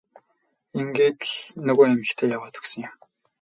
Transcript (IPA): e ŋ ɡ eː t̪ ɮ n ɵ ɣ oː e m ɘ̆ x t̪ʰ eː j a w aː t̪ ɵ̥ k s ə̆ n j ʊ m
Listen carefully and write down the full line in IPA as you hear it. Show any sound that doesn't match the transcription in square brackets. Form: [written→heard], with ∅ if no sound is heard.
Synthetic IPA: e ŋ ɡ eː t̪ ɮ n ɵ ɣ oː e m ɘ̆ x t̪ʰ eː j a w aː t̪ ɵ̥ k s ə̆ [n→ŋ] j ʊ m